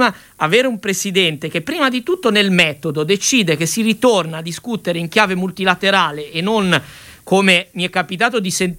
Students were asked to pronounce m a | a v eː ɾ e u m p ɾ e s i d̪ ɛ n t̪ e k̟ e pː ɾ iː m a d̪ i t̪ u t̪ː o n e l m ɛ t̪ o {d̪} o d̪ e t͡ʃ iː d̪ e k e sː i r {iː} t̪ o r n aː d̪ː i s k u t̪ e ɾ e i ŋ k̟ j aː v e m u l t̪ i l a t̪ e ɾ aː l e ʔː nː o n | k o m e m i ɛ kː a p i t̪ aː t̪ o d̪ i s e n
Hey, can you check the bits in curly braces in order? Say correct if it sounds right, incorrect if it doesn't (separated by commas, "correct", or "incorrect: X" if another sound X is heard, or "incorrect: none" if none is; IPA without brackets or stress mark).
correct, incorrect: i